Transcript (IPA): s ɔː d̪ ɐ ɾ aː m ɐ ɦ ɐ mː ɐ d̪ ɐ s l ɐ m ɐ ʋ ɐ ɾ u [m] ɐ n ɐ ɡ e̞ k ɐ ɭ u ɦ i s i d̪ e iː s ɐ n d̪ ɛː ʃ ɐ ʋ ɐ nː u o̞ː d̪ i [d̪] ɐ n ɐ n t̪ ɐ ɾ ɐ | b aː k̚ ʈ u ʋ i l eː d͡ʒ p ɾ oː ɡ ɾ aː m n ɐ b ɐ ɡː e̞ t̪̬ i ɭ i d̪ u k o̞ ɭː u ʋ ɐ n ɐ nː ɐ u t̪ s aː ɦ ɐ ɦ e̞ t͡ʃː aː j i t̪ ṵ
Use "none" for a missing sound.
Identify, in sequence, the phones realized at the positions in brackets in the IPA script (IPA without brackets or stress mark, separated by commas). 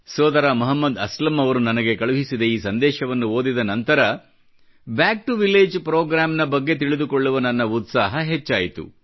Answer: n, d̪